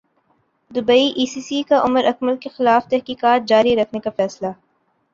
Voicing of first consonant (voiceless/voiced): voiced